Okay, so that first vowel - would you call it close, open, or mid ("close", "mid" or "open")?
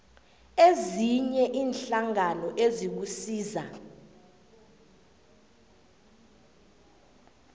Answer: mid